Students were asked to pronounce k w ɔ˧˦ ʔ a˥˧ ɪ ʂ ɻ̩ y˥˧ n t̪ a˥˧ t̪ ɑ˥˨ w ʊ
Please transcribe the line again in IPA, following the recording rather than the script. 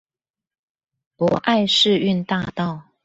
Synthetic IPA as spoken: p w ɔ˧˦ ʔ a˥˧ ɪ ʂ ɻ̩ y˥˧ n t̪ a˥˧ t̪ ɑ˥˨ ʊ